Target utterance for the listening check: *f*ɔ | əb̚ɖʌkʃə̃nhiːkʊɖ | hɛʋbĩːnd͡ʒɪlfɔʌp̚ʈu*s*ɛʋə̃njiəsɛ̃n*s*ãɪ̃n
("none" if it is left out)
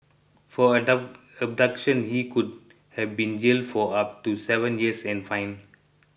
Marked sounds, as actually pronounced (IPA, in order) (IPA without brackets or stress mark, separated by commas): f, s, f